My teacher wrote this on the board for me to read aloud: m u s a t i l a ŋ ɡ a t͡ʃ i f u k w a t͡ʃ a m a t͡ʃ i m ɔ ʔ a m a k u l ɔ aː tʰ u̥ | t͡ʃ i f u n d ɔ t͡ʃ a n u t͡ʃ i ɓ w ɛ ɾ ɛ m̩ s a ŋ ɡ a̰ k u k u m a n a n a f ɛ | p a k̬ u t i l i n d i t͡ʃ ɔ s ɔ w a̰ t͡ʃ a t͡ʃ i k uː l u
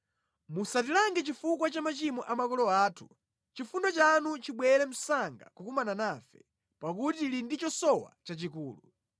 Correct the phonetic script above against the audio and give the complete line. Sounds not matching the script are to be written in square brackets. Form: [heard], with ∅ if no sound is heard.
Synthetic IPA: m u s a t i l a ŋ ɡ [ɛ] t͡ʃ i f u k w a t͡ʃ a m a t͡ʃ i m ɔ ʔ a m a k [ɔ] l ɔ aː tʰ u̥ | t͡ʃ i f u n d ɔ t͡ʃ a n u t͡ʃ i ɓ w ɛ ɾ ɛ m̩ s a ŋ ɡ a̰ k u k u m a n a n a f ɛ | p a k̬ u t i l i n d i t͡ʃ ɔ s ɔ w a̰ t͡ʃ a t͡ʃ i k uː l u